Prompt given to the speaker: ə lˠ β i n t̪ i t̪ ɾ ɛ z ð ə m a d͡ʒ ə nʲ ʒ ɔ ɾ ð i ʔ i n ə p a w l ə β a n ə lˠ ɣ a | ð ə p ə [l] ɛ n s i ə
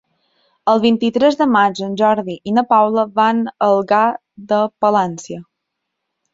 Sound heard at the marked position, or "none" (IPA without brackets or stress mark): l